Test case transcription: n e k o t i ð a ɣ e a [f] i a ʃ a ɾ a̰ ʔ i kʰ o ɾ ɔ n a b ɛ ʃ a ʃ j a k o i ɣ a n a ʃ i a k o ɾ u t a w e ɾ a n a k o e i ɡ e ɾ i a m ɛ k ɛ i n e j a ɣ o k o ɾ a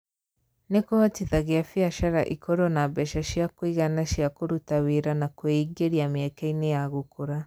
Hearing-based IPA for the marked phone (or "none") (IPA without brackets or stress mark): f